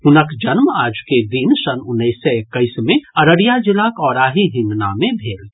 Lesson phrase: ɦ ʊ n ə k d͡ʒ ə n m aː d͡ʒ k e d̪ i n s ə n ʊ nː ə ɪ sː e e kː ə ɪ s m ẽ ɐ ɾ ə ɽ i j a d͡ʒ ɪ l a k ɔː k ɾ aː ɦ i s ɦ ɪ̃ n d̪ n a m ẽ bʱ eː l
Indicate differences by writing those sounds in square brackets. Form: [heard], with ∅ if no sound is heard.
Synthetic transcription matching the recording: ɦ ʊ n ə k d͡ʒ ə n m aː d͡ʒ k e d̪ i n s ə n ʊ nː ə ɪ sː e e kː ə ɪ s m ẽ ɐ ɾ ə ɽ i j a d͡ʒ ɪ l a k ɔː [∅] ɾ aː ɦ i [∅] ɦ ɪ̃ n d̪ n a m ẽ bʱ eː l